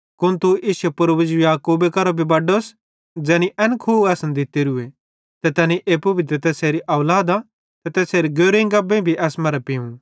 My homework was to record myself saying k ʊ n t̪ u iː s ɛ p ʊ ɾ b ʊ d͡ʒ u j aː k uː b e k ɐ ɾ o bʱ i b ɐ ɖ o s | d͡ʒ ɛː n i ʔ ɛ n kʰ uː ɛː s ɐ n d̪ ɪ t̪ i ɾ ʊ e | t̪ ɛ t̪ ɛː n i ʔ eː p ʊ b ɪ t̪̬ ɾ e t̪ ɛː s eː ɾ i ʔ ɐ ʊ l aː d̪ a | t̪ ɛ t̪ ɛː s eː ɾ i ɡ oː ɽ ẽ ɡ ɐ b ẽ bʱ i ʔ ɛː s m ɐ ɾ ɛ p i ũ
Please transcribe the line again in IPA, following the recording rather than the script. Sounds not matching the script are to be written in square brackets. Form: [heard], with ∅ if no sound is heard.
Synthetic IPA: k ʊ n t̪ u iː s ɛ p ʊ ɾ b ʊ d͡ʒ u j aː k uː b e k ɐ ɾ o bʱ i b ɐ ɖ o s | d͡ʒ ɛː n i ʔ ɛ n kʰ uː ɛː s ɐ n d̪ ɪ t̪ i ɾ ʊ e | t̪ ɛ t̪ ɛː n i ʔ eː p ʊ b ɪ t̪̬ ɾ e t̪ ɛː s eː ɾ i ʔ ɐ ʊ l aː d̪ a | t̪ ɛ t̪ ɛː s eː ɾ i ɡ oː [ɾ] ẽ ɡ ɐ b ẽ bʱ i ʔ ɛː s m ɐ ɾ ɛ p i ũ